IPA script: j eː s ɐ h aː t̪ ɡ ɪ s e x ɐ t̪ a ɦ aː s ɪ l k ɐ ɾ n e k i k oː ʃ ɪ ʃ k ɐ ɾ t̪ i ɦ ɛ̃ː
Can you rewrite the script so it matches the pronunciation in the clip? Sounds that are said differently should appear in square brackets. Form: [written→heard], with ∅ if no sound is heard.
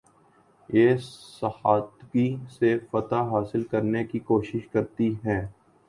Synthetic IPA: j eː s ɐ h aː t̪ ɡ [ɪ→i] s e [x→f] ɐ t̪ a ɦ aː s ɪ l k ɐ ɾ n e k i k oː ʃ ɪ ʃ k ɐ ɾ t̪ i ɦ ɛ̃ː